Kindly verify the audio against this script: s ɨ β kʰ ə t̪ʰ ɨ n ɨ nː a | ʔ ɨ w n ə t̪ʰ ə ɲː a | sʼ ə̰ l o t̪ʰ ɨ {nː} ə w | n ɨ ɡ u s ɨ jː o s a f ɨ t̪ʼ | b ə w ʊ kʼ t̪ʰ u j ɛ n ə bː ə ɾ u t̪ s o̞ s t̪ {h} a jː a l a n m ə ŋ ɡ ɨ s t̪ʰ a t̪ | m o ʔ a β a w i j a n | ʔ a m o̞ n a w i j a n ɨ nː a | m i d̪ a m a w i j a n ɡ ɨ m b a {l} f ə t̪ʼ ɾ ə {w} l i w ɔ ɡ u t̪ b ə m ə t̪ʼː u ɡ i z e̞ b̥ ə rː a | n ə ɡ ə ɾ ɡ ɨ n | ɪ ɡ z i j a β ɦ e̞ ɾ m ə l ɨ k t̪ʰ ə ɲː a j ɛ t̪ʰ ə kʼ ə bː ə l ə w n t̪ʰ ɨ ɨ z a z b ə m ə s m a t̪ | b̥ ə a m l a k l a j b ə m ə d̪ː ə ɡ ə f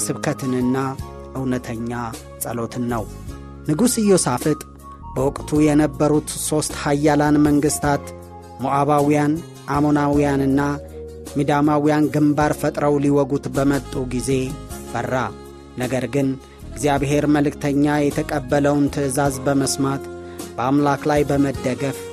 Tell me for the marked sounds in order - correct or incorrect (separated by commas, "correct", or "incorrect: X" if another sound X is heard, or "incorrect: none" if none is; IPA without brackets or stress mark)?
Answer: correct, correct, incorrect: ɾ, correct